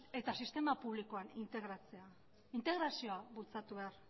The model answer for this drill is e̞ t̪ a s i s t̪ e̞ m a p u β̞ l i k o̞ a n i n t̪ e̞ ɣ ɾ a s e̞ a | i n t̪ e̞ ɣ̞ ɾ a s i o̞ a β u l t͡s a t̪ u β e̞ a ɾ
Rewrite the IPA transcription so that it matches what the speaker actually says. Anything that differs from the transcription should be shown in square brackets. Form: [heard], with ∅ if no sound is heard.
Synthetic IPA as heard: e̞ t̪ a s i s t̪ e̞ m a p u β̞ l i k o̞ a n i n t̪ e̞ ɣ ɾ a [t͡s] e̞ a | i n t̪ e̞ ɣ̞ ɾ a s i o̞ a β u l t͡s a t̪ u β e̞ a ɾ

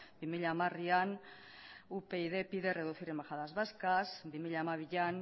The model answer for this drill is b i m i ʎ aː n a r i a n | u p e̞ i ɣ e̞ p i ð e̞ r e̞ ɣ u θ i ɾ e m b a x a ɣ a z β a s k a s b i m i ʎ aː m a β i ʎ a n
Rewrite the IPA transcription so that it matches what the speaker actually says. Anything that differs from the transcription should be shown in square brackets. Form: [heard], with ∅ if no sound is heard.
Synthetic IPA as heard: b i m i ʎ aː [m] a r i a n | u p e̞ i [ð] e̞ p i ð e̞ r e̞ [ð] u θ i ɾ e m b a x a [ð] a z β a s k a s b i m i ʎ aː m a β i ʎ a n

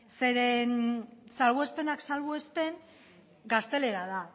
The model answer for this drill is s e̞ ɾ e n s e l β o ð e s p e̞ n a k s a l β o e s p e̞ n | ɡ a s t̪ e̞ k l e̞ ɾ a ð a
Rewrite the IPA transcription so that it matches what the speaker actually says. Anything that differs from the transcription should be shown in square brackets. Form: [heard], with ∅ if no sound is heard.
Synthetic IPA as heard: s e̞ ɾ e n s [a] l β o [∅] e s p e̞ n a k s a l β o e s p e̞ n | ɡ a s t̪ e̞ [∅] l e̞ ɾ a ð a

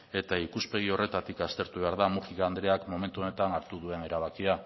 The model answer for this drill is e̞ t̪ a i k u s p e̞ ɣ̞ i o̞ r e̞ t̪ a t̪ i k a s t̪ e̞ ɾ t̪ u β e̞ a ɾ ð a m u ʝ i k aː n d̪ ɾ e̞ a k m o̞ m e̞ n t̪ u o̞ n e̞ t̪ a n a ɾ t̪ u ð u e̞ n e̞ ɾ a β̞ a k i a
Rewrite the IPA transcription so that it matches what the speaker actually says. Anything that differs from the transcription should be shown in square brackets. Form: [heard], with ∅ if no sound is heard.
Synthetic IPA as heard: e̞ t̪ a i k u s p e̞ ɣ̞ i o̞ r e̞ t̪ a t̪ i k a s t̪ e̞ ɾ t̪ u β e̞ a ɾ ð a m u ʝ i k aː n d̪ ɾ e̞ a k m o̞ m e̞ n t̪ u o̞ n e̞ t̪ a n a ɾ t̪ u ð u e̞ n e̞ ɾ a β̞ a k i a

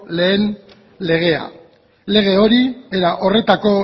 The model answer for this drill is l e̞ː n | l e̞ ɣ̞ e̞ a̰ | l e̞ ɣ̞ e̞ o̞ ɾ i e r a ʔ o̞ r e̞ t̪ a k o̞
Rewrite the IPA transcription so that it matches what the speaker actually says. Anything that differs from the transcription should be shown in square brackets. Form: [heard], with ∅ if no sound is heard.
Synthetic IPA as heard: l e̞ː n | l e̞ ɣ̞ e̞ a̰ | l e̞ ɣ̞ e̞ o̞ ɾ i e [ɾ] a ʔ o̞ r e̞ t̪ a k o̞

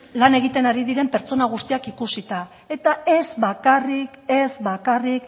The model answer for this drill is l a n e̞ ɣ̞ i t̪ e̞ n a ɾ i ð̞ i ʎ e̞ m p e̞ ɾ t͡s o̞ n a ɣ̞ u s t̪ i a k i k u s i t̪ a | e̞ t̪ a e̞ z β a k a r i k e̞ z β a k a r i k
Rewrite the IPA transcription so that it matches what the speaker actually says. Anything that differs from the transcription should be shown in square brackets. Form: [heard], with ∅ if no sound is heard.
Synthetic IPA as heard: l a n e̞ ɣ̞ i t̪ e̞ n a ɾ i ð̞ i [ɾ] e̞ m p e̞ ɾ t͡s o̞ n a ɣ̞ u s t̪ i a k i k u s i t̪ a | e̞ t̪ a e̞ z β a k a r i k e̞ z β a k a r i k

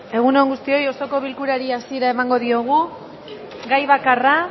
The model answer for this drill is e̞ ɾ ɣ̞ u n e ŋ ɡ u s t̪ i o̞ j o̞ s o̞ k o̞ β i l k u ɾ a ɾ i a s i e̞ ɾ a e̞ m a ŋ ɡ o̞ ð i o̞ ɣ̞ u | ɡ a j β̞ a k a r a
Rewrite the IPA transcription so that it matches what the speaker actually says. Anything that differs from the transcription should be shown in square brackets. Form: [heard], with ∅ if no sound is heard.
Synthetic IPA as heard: e̞ [∅] ɣ̞ u n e ŋ ɡ u s t̪ i o̞ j o̞ s o̞ k o̞ β i l k u ɾ a ɾ i a s i e̞ ɾ a e̞ m a ŋ ɡ o̞ ð i o̞ ɣ̞ u | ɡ a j β̞ a k a r a

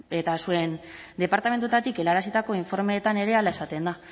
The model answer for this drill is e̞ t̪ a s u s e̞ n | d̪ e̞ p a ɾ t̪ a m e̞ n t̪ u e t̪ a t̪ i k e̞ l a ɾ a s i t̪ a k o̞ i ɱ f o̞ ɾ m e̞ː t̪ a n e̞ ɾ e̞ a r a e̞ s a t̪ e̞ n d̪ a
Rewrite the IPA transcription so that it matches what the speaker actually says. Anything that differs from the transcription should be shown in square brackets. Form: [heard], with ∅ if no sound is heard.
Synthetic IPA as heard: e̞ t̪ a s u [∅] e̞ n | d̪ e̞ p a ɾ t̪ a m e̞ n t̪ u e t̪ a t̪ i k e̞ l a ɾ a s i t̪ a k o̞ i ɱ f o̞ ɾ m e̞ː t̪ a n e̞ ɾ e̞ a [l] a e̞ s a t̪ e̞ n d̪ a

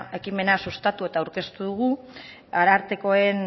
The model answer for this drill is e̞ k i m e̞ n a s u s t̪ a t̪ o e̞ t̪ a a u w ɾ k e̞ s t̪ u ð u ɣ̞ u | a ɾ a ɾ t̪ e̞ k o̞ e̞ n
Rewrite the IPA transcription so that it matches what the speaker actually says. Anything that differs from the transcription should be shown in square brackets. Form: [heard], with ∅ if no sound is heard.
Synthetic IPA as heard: e̞ k i m e̞ n a s u s t̪ a t̪ [u] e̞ t̪ a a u w ɾ k e̞ s t̪ u ð u ɣ̞ u | a ɾ a ɾ t̪ e̞ k o̞ e̞ n

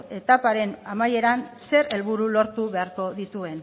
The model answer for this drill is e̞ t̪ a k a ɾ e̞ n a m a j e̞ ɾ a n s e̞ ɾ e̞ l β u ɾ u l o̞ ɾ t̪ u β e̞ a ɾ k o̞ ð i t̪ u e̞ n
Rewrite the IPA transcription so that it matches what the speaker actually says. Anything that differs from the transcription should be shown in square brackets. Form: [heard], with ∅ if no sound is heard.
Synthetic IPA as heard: e̞ t̪ a [p] a ɾ e̞ n a m a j e̞ ɾ a n s e̞ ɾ e̞ l β u ɾ u l o̞ ɾ t̪ u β e̞ a ɾ k o̞ ð i t̪ u e̞ n

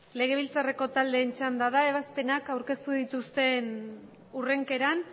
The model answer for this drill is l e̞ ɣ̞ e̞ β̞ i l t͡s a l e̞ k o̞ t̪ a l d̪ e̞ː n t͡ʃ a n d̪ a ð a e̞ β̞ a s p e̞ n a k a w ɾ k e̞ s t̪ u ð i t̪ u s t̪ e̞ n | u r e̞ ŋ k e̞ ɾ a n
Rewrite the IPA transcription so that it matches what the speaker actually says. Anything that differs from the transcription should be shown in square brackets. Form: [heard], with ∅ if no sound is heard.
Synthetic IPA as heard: l e̞ ɣ̞ e̞ β̞ i l t͡s a [r] e̞ k o̞ t̪ a l d̪ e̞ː n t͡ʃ a n d̪ a ð a e̞ β̞ a s p e̞ n a k a w ɾ k e̞ s t̪ u ð i t̪ u s t̪ e̞ n | u r e̞ ŋ k e̞ ɾ a n

